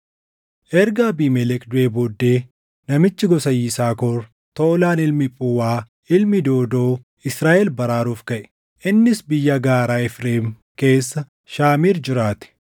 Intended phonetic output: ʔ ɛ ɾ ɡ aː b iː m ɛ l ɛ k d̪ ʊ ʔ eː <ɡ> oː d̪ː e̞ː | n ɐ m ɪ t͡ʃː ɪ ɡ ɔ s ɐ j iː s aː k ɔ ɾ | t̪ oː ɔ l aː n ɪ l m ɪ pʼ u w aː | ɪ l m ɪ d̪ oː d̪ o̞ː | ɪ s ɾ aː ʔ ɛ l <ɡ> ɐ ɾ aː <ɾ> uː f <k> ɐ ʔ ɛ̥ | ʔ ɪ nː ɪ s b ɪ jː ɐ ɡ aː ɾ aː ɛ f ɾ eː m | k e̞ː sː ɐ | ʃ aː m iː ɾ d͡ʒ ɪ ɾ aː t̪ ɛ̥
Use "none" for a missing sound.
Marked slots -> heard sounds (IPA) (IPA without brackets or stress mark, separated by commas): b, b, ɾ, k